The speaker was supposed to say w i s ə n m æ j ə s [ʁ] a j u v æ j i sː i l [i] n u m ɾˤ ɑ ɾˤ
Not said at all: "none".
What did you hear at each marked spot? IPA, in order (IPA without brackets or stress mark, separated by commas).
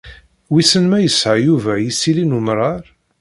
ʕ, i